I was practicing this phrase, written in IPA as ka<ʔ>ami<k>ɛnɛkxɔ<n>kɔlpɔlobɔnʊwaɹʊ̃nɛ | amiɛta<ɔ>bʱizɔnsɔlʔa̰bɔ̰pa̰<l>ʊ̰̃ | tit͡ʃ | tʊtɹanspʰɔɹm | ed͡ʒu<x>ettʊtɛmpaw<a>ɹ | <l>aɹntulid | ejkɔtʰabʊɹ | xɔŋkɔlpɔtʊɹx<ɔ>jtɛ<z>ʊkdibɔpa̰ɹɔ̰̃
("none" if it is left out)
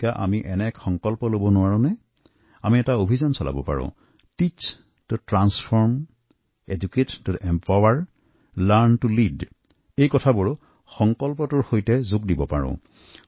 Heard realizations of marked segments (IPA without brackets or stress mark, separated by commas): ʔ, ʔ, ŋ, o, ɹ, k, a, l, o, z